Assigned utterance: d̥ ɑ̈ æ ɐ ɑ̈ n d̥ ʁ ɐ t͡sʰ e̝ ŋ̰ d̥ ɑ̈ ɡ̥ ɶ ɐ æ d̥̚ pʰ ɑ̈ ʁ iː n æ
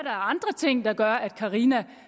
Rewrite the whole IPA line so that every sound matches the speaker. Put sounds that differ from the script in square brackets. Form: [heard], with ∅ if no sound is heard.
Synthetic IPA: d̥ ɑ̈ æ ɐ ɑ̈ n d̥ ʁ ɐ t͡sʰ e̝ ŋ̰ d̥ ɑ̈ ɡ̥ ɶ ɐ æ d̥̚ [kʰ] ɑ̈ ʁ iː n æ